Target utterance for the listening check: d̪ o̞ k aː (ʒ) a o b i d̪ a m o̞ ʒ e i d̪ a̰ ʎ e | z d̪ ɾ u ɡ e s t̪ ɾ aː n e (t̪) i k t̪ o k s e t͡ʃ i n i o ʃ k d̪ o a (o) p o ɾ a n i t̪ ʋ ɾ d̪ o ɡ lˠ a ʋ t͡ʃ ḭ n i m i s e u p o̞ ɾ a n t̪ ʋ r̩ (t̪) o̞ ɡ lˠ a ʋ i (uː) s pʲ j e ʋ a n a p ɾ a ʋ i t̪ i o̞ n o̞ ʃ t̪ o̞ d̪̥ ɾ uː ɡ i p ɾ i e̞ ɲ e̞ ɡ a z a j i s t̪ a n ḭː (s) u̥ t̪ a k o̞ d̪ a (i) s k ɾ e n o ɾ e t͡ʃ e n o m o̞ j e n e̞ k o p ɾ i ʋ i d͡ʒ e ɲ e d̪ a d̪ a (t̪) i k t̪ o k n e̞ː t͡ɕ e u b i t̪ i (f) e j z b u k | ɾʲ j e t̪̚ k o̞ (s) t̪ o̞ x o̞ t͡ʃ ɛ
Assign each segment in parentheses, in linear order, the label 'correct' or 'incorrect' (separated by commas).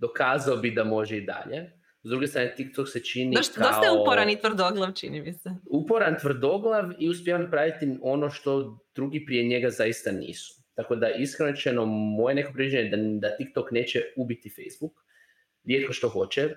incorrect, correct, incorrect, incorrect, incorrect, correct, correct, correct, correct, incorrect